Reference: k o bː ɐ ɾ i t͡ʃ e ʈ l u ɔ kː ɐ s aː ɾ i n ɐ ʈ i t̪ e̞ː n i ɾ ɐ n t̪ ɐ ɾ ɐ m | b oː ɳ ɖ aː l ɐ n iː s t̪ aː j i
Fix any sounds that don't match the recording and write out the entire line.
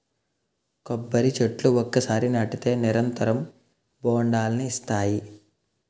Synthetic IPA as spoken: k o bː ɐ ɾ i t͡ʃ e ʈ l u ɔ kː ɐ s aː ɾ i n ɐ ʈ i t̪ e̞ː n i ɾ ɐ n t̪ ɐ ɾ ɐ m | b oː ɳ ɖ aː l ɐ n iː s t̪ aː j i